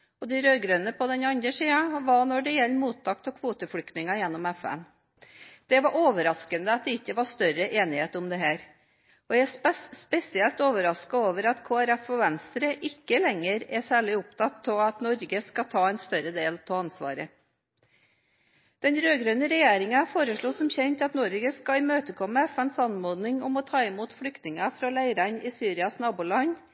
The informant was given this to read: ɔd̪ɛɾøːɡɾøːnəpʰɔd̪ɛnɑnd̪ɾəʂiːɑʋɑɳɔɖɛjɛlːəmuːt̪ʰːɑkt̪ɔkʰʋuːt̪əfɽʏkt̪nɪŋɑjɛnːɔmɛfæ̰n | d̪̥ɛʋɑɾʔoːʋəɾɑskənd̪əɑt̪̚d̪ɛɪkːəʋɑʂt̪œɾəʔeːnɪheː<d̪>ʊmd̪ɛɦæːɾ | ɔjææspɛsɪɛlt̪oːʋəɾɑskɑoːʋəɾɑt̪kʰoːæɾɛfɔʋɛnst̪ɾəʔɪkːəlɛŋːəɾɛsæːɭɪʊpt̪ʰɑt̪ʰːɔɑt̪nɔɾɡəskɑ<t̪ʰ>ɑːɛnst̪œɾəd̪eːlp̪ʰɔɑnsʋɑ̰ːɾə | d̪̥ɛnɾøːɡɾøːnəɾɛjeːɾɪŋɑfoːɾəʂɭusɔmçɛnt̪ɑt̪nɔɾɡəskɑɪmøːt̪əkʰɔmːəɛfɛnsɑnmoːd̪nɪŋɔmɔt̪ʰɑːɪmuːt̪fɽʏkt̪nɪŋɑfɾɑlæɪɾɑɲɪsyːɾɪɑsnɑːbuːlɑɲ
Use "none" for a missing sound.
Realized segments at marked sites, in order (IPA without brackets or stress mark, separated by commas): t̪, t̪ʰ